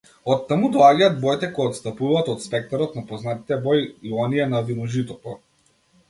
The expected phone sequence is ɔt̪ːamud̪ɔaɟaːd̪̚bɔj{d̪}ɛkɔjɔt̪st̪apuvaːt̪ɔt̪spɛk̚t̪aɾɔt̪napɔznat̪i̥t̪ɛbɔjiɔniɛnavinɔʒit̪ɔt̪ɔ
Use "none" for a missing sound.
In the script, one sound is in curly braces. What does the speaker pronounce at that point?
t̪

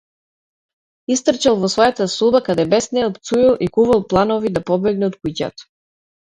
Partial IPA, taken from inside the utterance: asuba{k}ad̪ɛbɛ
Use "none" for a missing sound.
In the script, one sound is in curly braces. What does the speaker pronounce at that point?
k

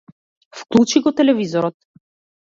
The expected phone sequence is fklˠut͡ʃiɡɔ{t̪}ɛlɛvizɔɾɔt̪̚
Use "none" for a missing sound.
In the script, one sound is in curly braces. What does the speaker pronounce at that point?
t̪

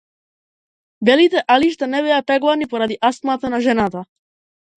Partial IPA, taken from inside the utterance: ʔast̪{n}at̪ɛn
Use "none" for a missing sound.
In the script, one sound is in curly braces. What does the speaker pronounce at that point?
m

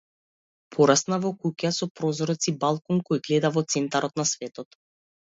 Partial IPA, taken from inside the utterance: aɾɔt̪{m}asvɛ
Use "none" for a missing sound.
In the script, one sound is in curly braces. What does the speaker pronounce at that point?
n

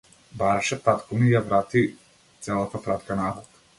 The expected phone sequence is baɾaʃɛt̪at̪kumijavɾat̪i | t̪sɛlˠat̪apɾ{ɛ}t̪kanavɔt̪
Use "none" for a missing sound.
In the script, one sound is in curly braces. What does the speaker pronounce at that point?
a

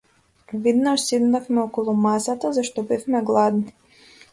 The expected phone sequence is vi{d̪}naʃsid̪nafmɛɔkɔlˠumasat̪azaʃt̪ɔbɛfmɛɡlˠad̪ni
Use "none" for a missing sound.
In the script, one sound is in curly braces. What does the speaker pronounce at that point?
d̪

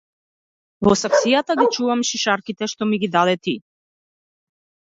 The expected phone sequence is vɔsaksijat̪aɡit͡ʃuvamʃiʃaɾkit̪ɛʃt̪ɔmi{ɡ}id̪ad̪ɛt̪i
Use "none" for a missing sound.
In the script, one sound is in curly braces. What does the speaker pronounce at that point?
ɡ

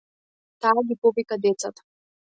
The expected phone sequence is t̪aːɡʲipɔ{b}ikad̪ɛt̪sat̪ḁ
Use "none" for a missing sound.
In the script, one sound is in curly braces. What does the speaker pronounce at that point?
v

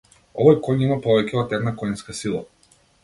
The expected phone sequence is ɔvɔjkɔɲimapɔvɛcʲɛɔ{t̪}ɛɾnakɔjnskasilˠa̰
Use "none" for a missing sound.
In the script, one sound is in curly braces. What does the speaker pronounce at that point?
t̪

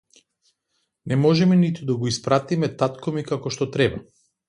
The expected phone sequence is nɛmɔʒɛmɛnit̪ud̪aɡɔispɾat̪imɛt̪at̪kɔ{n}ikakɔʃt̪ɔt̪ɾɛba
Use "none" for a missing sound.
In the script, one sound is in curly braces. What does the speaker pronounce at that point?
m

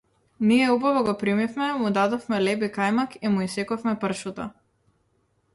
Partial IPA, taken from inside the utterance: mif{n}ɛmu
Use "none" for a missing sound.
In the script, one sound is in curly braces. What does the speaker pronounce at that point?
m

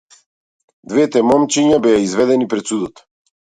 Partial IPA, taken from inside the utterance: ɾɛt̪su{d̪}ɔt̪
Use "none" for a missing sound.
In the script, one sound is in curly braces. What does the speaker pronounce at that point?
d̪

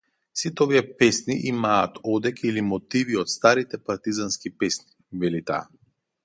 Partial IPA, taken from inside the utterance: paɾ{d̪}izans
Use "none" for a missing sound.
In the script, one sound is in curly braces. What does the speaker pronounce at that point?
t̪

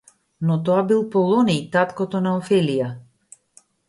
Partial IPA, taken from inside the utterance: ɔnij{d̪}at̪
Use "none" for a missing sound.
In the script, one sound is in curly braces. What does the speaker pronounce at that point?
t̪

